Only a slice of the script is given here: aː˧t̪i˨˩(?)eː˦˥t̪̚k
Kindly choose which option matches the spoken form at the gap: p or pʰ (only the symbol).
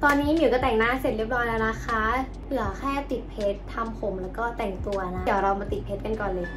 pʰ